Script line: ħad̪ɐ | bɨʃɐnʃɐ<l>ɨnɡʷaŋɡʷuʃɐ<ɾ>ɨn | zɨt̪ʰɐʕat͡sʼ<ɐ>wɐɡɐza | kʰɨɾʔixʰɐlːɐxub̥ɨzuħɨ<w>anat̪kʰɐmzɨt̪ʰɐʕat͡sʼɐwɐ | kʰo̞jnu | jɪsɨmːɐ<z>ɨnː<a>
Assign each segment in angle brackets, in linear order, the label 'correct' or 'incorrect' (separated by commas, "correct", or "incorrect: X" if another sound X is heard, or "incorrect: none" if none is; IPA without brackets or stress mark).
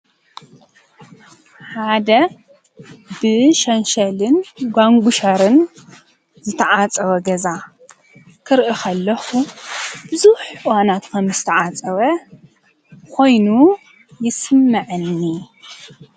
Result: correct, correct, correct, correct, incorrect: ʕ, incorrect: i